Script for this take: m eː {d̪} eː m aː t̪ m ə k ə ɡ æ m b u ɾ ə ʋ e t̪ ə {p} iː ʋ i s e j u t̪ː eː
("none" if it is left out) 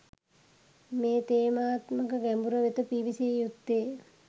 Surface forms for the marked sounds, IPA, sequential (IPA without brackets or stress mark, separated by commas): t̪, p